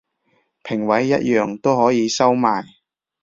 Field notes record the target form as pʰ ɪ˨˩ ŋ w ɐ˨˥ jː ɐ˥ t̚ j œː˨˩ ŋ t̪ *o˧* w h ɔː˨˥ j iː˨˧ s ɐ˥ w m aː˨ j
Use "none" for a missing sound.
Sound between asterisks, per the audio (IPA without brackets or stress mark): o˥